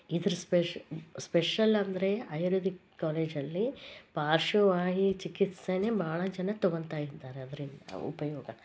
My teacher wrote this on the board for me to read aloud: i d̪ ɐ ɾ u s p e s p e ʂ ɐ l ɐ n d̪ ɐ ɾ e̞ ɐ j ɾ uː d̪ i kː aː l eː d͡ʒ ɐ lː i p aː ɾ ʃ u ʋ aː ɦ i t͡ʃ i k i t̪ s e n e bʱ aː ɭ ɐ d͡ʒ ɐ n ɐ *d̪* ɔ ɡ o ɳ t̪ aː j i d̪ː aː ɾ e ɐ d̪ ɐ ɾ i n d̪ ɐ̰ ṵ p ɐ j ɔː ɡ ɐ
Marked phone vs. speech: incorrect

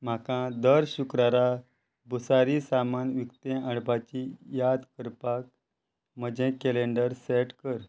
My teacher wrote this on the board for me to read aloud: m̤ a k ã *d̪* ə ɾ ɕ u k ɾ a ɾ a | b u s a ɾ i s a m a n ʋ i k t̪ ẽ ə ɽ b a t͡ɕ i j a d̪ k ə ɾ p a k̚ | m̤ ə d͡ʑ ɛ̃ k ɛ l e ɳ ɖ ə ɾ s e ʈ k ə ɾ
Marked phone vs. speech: correct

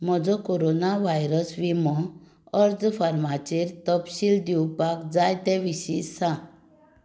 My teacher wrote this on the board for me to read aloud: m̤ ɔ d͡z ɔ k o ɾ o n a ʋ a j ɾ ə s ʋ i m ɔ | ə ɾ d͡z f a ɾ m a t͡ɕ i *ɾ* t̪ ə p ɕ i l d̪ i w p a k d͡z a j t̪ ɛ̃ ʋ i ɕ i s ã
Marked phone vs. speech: correct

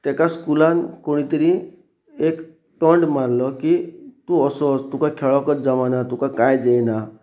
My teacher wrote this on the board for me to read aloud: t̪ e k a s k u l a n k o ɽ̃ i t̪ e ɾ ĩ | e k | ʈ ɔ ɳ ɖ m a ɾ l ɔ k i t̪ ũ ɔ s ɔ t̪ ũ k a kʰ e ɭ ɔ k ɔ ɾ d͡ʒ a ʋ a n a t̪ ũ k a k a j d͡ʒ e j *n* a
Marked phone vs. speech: correct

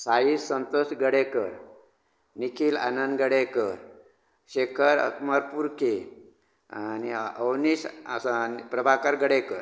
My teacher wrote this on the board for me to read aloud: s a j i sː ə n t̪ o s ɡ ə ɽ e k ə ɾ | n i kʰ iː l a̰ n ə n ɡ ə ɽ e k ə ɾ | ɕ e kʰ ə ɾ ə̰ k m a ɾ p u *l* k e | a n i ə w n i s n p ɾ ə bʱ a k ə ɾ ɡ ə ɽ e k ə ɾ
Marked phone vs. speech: incorrect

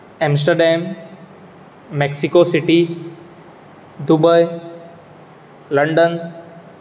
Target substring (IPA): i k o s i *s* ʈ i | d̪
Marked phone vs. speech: incorrect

